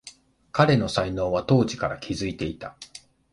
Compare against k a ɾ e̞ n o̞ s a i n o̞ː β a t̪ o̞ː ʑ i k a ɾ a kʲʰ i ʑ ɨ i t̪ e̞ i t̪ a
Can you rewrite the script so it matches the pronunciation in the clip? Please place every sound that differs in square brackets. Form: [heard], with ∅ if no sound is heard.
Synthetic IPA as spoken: k a ɾ e̞ n o̞ s a i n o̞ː β a t̪ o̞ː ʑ i k a ɾ a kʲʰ i [z] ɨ i t̪ e̞ i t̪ a